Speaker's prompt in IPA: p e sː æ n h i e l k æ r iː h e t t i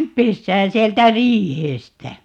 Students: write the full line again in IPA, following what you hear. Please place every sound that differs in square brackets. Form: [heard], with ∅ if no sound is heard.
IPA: p e sː [æː] n [s] i e l [t] æ r iː h e [s] t [æ]